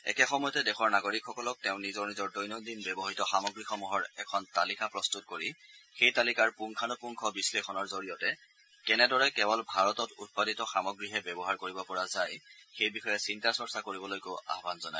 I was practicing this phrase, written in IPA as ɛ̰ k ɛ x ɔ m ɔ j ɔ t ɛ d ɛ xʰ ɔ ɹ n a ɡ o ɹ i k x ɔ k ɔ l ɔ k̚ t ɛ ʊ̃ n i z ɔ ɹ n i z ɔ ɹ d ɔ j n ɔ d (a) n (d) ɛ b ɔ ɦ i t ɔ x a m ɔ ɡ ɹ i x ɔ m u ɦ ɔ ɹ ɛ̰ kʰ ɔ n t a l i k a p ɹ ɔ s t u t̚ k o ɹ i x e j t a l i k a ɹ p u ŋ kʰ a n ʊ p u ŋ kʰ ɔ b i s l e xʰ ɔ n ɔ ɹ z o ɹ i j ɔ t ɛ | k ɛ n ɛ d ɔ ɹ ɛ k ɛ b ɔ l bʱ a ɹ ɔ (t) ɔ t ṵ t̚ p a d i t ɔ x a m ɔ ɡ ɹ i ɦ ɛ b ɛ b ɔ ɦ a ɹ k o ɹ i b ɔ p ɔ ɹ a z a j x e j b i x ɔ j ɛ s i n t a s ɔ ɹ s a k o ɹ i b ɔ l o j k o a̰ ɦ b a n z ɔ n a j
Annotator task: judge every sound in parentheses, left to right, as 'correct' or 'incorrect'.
incorrect: i, incorrect: b, correct

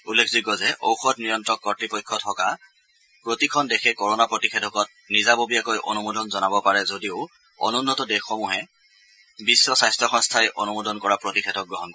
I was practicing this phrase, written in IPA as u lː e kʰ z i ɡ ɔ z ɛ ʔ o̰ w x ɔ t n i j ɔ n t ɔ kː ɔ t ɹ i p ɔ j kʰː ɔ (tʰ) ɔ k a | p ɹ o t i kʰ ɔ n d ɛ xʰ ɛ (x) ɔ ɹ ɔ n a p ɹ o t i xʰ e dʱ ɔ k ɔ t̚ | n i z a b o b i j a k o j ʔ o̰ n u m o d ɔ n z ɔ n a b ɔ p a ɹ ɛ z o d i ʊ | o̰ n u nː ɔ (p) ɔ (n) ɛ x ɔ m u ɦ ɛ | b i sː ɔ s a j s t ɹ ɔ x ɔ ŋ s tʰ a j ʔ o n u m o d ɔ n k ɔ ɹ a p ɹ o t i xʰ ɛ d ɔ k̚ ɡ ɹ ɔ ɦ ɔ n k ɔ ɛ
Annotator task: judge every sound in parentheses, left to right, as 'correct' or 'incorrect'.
correct, incorrect: k, incorrect: t, incorrect: d

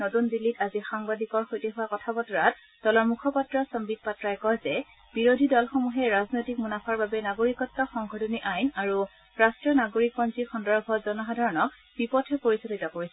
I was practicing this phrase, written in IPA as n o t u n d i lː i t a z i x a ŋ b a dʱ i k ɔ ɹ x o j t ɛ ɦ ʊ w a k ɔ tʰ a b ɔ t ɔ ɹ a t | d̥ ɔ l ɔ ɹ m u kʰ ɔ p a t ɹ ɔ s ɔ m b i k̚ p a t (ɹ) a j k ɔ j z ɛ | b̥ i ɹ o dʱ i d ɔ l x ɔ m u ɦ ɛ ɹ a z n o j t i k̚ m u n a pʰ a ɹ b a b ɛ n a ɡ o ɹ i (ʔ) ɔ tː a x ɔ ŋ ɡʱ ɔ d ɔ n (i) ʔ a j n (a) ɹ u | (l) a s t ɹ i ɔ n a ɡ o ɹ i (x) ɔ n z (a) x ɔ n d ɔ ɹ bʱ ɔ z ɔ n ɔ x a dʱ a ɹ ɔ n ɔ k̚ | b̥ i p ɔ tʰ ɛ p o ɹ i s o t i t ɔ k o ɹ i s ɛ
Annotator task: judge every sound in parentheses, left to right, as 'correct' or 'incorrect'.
correct, incorrect: k, correct, correct, incorrect: ɹ, incorrect: k, incorrect: i

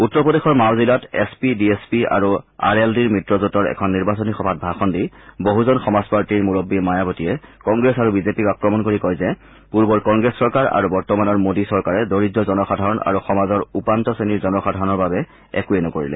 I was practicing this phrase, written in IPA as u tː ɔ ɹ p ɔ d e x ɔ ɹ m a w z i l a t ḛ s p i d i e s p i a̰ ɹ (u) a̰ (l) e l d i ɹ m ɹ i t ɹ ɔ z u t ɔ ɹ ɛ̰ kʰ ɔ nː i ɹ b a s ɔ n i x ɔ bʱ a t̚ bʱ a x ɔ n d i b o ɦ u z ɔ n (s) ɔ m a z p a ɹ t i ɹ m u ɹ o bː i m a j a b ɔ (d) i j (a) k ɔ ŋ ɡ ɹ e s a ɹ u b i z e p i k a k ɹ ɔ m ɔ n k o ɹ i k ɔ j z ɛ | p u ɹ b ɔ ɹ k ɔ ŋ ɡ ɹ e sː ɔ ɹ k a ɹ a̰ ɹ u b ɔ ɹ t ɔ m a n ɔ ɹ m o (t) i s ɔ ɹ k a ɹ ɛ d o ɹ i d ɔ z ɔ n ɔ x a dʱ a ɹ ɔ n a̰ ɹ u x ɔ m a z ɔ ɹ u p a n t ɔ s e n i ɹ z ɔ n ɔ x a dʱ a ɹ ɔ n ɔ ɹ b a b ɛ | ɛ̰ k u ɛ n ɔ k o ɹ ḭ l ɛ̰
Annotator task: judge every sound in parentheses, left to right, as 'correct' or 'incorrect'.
correct, incorrect: ɹ, incorrect: x, incorrect: t, incorrect: ɛ, incorrect: d

